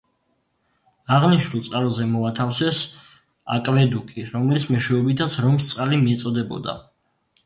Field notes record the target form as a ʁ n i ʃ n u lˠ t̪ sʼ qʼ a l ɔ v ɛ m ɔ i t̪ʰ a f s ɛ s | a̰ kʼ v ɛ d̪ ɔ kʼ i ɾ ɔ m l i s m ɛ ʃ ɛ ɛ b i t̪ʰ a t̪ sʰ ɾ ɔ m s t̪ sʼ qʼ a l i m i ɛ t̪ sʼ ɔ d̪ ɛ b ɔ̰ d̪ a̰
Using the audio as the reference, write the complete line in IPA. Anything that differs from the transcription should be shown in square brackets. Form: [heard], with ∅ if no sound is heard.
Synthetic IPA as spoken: a ʁ n i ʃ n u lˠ t̪ sʼ qʼ a l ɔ [z] ɛ m ɔ [a] t̪ʰ a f s ɛ s | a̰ kʼ v ɛ d̪ [u] kʼ i ɾ ɔ m l i s m ɛ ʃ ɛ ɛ b i t̪ʰ a t̪ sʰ ɾ ɔ m s t̪ sʼ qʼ a l i m i ɛ t̪ sʼ ɔ d̪ ɛ b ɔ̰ d̪ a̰